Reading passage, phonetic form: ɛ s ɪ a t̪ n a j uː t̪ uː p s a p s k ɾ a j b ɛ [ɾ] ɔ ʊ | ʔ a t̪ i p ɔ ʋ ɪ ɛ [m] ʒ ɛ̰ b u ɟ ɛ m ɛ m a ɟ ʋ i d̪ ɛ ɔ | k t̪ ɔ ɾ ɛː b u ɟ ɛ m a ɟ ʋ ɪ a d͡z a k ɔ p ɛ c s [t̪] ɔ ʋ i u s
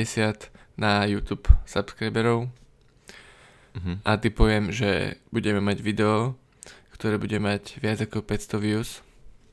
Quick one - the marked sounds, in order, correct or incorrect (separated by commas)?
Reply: correct, correct, correct